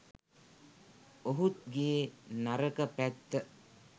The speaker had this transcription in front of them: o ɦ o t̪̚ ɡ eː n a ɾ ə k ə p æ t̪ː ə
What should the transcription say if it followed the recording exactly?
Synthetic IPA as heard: o ɦ u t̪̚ ɡ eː n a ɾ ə k ə p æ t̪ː ə

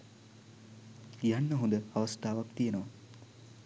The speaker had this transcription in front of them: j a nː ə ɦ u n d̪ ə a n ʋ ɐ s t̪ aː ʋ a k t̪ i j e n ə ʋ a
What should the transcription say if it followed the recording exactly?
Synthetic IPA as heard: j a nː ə ɦ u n d̪ ə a ʋ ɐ s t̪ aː ʋ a k t̪ i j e n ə ʋ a

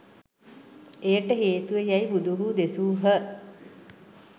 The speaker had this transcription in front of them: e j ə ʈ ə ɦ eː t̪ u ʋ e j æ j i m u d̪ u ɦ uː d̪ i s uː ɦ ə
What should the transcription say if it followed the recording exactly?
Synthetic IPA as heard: e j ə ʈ ə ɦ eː t̪ u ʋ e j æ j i b u d̪ u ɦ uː d̪ e s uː ɦ ə

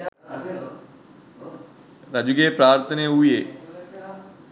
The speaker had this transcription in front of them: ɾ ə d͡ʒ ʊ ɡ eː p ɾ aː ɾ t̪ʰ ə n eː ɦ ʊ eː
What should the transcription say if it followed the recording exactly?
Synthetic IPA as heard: ɾ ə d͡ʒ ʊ ɡ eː p ɾ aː ɾ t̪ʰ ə n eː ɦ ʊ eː

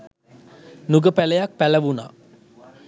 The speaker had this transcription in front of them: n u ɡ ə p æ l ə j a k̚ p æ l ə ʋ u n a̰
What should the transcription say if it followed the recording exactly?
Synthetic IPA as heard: n u ɡ ə p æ l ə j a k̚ p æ l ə ʋ u n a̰

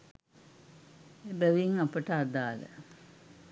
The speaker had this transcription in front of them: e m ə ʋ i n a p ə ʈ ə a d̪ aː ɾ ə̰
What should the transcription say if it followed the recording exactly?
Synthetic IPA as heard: e b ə ʋ i ŋ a p ə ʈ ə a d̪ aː l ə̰

